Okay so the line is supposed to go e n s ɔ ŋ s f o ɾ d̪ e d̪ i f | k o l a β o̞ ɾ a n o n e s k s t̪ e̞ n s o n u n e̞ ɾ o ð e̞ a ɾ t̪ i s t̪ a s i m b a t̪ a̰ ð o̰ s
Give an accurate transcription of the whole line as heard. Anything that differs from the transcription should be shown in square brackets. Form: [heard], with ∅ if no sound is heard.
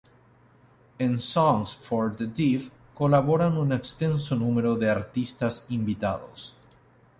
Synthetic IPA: e n s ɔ ŋ s f o ɾ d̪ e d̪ i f | k o l a β o̞ ɾ a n [u] n e [∅] k s t̪ e̞ n s o n u [m] e̞ ɾ o ð e̞ a ɾ t̪ i s t̪ a s i m b [i] t̪ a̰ ð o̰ s